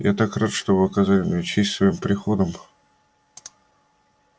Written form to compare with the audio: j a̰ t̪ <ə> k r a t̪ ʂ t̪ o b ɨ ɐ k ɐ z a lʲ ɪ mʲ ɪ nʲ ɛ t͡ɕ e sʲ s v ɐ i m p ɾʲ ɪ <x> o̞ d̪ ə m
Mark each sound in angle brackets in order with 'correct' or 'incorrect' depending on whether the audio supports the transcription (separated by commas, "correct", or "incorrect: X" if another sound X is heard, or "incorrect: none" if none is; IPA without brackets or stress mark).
incorrect: a, correct